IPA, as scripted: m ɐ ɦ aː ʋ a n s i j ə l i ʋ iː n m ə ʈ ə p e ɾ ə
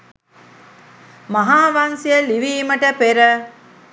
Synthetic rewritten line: m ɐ ɦ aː ʋ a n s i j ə l i ʋ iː m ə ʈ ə p e ɾ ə

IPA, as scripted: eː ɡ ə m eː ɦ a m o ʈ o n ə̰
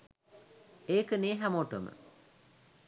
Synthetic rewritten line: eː k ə n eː ɦ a m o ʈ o m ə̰

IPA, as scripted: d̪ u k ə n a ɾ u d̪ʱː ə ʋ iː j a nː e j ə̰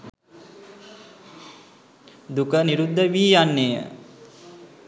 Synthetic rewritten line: d̪ u k ə n i ɾ u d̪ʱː ə ʋ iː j a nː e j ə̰

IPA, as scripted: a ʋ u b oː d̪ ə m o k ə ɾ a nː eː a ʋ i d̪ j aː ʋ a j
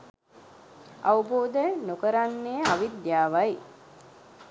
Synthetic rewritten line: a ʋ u b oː d̪ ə n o k ə ɾ a nː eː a ʋ i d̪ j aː ʋ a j

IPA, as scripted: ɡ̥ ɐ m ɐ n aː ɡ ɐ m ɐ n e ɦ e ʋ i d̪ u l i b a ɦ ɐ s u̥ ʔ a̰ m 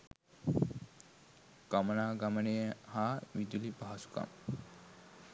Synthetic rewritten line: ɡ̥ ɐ m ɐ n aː ɡ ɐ m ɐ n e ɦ a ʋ i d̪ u l i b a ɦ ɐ s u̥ k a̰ m

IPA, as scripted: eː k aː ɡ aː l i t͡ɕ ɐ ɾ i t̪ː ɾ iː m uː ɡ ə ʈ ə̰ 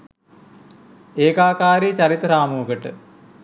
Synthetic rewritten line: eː k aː k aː ɾ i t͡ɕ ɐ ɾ i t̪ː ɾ aː m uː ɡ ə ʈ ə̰

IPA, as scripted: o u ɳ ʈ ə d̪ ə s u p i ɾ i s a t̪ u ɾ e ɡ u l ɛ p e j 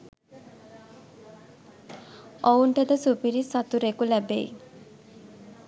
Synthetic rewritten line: o u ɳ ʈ ə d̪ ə s u p i ɾ i s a t̪ u ɾ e k u l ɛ b e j

